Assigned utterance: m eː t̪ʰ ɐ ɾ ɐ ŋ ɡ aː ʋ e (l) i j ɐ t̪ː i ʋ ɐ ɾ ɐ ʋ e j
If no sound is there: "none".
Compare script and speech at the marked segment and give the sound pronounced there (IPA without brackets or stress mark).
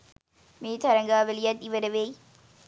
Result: l